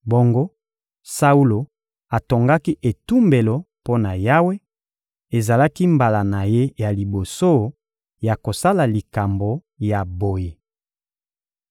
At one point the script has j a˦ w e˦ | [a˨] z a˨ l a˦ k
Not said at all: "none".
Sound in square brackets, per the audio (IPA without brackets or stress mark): e˨